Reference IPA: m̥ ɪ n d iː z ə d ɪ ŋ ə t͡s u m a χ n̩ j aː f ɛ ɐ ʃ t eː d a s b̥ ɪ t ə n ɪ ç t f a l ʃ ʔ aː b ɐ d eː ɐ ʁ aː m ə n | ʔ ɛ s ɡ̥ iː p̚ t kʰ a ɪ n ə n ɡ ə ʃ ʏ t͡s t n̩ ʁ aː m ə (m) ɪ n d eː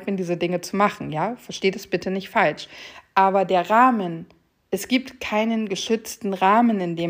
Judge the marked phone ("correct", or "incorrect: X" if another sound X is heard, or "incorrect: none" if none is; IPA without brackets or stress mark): incorrect: n